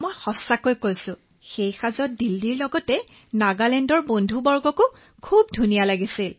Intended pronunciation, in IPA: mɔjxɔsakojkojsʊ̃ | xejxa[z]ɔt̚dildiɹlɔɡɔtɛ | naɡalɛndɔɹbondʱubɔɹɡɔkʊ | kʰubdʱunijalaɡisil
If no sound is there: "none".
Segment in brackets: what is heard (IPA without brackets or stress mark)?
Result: z